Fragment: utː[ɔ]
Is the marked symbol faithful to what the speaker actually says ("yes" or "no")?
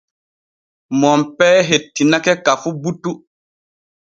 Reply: no